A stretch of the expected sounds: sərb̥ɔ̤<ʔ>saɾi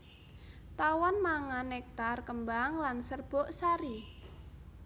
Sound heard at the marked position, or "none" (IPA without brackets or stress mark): ʔ